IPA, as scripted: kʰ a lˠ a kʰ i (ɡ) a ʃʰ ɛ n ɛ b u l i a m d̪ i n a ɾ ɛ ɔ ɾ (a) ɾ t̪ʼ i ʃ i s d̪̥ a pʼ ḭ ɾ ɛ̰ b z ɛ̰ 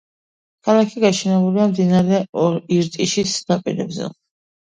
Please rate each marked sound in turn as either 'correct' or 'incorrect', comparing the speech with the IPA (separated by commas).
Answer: correct, incorrect